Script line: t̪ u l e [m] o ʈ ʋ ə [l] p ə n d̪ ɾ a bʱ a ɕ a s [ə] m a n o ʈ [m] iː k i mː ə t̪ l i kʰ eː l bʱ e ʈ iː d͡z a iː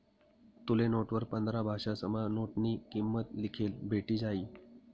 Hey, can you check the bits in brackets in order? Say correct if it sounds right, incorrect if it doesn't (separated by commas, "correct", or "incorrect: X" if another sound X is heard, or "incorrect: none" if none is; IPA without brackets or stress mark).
incorrect: n, incorrect: ɾ, correct, incorrect: n